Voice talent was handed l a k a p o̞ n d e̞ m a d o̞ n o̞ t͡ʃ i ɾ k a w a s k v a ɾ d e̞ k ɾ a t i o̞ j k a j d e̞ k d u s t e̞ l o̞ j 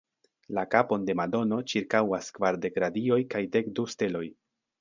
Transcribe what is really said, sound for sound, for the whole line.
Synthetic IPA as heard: l a k a p o̞ n d e̞ m a d o̞ n o̞ t͡ʃ i ɾ k a w a s k v a ɾ d e̞ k ɾ a d i o̞ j k a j d e̞ k d u s t e̞ l o̞ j